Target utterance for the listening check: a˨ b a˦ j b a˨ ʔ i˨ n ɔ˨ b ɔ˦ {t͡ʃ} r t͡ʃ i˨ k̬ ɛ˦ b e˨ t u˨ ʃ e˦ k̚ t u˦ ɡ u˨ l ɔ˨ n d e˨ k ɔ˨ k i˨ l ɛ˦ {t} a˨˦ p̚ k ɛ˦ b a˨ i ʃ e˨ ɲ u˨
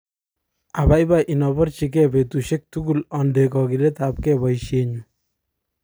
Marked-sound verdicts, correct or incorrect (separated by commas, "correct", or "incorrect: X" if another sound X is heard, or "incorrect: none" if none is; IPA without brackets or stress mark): incorrect: none, correct